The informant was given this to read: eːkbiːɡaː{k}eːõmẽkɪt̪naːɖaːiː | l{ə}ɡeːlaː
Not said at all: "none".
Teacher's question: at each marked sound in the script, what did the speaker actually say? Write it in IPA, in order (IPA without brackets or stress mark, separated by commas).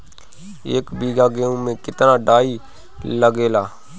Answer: ɡ, ə